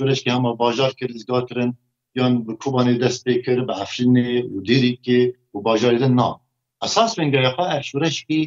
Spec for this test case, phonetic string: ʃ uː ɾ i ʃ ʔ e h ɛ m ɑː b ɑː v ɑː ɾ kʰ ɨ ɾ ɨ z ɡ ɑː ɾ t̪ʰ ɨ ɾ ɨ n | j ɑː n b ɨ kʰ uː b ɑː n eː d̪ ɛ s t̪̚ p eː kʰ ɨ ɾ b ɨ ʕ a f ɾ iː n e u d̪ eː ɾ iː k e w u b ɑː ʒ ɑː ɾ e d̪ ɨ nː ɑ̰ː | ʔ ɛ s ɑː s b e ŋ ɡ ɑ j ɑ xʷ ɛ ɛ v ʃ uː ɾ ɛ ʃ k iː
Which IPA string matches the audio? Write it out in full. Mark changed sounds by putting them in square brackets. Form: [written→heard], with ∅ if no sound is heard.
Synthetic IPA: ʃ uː ɾ [i→ɛ] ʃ [ʔ→k] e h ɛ m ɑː b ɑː [v→ʒ] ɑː ɾ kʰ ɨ ɾ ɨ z ɡ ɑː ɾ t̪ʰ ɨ ɾ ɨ n | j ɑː n b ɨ kʰ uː b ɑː n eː d̪ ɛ s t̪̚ p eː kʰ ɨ ɾ b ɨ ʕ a f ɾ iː n e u d̪ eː ɾ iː k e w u b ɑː ʒ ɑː ɾ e d̪ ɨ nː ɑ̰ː | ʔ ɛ s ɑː s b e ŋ ɡ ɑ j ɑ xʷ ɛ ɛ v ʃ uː ɾ ɛ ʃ k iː